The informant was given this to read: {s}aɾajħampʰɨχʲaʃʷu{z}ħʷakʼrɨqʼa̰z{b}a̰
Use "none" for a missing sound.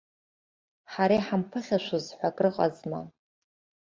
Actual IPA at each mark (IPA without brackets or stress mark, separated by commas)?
ħ, z, m